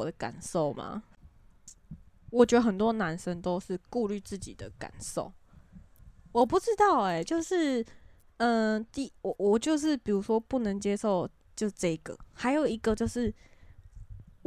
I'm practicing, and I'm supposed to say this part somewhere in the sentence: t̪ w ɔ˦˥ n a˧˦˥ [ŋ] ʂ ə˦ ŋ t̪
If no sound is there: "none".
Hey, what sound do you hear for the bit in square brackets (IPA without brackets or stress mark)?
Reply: n